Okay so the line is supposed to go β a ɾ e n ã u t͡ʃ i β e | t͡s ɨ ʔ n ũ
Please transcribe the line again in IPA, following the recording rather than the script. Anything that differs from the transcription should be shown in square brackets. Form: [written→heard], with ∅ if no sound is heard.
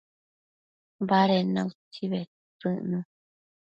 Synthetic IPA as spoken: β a ɾ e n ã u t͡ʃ i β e | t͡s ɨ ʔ n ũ